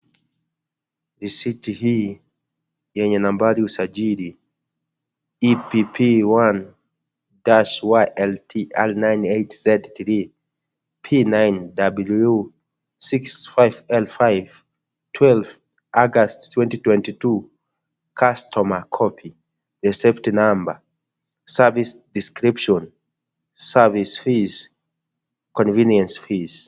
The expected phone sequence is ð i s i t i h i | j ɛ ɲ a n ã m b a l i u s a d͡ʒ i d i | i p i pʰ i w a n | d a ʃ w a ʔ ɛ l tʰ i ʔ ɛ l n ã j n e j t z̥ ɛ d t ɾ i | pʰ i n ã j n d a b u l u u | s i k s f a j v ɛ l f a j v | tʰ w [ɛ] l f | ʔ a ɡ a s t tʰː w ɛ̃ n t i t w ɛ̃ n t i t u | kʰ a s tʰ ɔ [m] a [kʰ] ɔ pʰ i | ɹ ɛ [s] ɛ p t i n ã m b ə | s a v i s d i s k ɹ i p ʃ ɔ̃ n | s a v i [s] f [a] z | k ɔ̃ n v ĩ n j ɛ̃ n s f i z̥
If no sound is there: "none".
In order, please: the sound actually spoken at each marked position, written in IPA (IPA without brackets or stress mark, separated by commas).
ɛ, m, kʰ, s, s, i